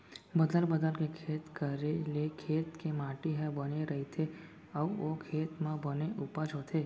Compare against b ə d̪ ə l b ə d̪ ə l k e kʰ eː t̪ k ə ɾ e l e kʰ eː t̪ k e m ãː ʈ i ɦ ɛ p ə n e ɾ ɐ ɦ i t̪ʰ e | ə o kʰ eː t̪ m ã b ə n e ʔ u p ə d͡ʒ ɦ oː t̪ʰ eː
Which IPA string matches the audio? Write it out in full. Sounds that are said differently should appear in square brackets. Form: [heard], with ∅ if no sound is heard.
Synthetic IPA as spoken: b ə d̪ ə l b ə d̪ ə l k e kʰ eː t̪ k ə ɾ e l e kʰ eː t̪ k e m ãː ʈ i ɦ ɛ [b] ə n e ɾ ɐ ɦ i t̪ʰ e | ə o kʰ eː t̪ m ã b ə n e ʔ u p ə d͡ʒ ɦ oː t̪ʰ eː